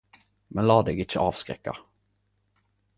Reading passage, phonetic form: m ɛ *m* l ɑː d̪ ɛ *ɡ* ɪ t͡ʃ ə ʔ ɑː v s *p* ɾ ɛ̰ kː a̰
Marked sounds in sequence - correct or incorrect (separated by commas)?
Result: incorrect, correct, incorrect